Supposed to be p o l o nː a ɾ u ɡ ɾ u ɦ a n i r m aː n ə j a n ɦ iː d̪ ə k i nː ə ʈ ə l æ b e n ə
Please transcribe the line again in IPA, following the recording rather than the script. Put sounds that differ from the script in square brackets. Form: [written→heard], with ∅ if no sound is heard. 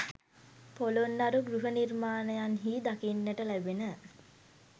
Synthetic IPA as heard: p o l o nː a ɾ u ɡ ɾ u ɦ [a→ə] n i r m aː n ə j a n ɦ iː d̪ [ə→a] k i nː ə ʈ ə l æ b e n ə